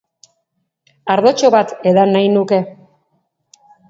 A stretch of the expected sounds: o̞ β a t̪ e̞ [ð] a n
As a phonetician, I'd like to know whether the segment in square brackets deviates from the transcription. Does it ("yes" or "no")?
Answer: no